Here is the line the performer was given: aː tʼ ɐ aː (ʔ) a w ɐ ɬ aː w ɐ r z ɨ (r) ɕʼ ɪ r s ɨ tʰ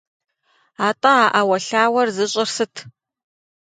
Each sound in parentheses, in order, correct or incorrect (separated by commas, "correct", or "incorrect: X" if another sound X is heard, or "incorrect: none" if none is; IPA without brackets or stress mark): correct, incorrect: none